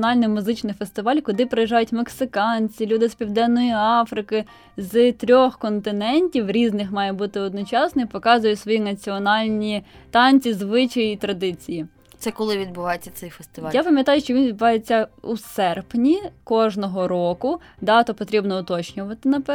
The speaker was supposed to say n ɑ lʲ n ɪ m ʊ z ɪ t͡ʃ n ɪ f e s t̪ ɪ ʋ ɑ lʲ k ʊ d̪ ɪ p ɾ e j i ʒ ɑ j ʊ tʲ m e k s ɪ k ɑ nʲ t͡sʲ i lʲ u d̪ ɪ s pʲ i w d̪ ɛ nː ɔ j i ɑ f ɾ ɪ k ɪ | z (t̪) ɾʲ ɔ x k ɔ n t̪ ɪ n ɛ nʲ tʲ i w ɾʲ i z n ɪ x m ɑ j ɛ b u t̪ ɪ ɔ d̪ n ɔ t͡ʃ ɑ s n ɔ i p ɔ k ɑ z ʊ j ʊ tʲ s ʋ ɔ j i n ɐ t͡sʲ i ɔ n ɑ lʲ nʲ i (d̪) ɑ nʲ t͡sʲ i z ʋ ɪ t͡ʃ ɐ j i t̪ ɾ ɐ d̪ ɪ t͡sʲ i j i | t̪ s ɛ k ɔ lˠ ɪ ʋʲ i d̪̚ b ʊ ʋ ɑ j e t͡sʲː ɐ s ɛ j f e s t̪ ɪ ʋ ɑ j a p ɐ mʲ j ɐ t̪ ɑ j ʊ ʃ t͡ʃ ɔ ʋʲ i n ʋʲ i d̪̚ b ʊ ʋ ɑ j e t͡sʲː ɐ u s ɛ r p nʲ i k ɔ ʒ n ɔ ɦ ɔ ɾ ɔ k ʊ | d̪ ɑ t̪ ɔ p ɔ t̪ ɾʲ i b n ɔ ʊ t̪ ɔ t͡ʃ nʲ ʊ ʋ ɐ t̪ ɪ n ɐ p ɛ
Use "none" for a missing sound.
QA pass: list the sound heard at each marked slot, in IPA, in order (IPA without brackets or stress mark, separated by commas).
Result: t̪, t̪